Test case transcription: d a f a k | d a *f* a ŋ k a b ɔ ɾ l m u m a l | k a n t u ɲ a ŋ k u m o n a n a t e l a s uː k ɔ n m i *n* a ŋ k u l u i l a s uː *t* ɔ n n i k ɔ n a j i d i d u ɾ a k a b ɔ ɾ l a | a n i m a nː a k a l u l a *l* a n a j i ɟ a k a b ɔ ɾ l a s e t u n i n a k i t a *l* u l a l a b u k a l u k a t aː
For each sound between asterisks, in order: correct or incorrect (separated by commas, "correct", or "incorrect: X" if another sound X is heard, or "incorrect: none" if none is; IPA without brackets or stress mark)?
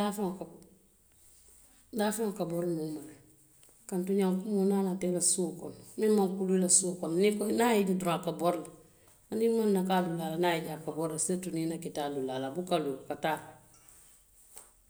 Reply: correct, incorrect: m, incorrect: k, correct, correct